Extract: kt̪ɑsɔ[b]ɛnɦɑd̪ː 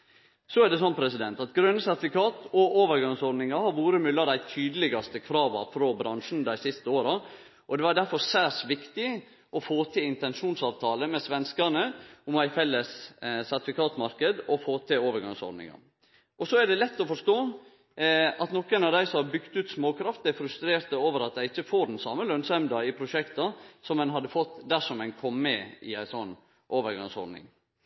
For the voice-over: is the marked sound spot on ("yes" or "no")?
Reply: no